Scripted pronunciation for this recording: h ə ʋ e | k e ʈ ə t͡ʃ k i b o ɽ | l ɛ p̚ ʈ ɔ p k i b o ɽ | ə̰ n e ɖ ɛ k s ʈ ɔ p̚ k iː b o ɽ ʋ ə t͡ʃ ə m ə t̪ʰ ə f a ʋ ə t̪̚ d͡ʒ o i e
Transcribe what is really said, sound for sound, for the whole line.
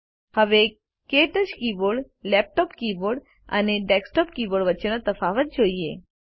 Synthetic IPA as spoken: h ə ʋ e | k e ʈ ə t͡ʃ k i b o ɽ | l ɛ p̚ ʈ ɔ p k i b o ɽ | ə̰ n e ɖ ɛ k s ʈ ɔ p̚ k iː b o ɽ ʋ ə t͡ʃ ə n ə t̪ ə f a ʋ ə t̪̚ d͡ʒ o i e